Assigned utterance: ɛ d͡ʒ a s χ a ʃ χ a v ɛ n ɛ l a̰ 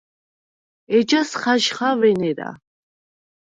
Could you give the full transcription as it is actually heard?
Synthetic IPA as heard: ɛ d͡ʒ a s χ a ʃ χ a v ɛ n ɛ ɾ a̰